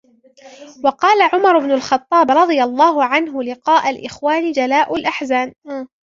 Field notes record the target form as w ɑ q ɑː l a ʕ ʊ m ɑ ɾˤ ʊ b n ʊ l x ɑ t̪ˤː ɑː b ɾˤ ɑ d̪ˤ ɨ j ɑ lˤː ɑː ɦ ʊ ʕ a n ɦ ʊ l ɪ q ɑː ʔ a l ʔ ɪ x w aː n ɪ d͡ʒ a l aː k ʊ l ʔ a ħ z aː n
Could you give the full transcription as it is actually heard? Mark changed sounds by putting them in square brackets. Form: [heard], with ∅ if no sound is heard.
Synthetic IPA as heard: w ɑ q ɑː l a ʕ ʊ m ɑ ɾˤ ʊ b n ʊ l x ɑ t̪ˤː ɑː b ɾˤ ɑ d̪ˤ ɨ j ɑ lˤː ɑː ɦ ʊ ʕ a n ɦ ʊ l ɪ q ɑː ʔ a l ʔ ɪ x w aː n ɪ d͡ʒ a l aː [ʔ] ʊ l ʔ a ħ z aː n